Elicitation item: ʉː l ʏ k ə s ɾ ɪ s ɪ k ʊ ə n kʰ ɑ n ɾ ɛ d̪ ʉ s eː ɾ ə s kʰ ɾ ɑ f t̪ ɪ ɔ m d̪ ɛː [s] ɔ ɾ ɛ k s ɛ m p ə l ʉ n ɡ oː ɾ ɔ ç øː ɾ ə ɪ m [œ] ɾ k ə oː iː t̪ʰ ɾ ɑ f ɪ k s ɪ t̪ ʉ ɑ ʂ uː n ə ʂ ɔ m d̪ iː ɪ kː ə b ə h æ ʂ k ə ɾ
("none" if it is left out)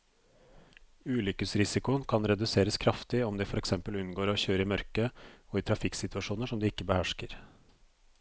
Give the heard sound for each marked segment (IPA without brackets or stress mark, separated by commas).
f, œ